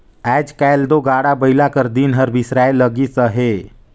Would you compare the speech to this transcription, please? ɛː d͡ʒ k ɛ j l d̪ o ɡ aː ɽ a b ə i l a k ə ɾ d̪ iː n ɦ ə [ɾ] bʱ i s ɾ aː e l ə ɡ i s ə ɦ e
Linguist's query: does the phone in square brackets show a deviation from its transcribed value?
no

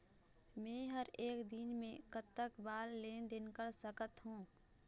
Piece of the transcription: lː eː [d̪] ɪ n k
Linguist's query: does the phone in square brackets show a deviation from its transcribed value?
no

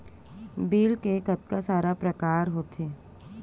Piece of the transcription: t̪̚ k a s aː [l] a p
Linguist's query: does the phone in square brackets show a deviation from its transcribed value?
yes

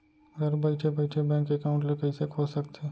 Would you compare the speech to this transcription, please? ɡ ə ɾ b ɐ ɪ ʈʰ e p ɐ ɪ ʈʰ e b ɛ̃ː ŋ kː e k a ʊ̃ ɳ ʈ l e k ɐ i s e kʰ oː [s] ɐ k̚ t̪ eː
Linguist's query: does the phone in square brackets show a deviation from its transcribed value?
no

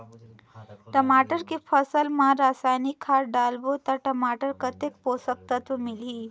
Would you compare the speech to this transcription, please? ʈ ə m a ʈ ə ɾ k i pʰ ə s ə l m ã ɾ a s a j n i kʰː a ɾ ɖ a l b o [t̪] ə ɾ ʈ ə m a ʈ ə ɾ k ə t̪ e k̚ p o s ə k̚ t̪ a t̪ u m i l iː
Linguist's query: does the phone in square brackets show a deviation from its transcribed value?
no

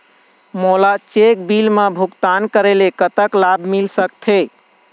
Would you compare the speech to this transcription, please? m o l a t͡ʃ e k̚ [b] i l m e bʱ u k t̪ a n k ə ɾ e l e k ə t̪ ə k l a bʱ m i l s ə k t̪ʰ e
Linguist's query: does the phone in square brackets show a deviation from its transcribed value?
no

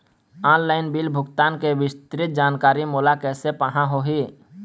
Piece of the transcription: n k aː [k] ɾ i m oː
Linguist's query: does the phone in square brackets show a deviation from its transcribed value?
yes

